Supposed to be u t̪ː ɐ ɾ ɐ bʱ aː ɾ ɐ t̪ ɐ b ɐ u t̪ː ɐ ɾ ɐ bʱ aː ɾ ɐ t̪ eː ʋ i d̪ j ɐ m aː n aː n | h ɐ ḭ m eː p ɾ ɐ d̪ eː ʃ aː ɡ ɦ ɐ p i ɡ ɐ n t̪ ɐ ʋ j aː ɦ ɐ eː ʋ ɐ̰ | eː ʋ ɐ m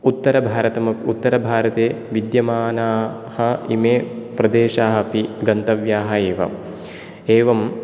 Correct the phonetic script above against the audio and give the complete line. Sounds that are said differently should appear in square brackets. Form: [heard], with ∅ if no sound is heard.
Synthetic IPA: u t̪ː ɐ ɾ ɐ bʱ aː ɾ ɐ t̪ ɐ [m] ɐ u t̪ː ɐ ɾ ɐ bʱ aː ɾ ɐ t̪ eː ʋ i d̪ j ɐ m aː n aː [∅] | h ɐ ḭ m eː p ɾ ɐ d̪ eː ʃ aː [∅] ɦ ɐ p i ɡ ɐ n t̪ ɐ ʋ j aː ɦ ɐ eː ʋ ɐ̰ | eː ʋ ɐ m